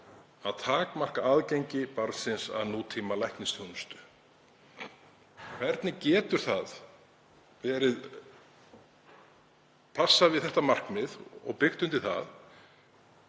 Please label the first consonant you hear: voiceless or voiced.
voiced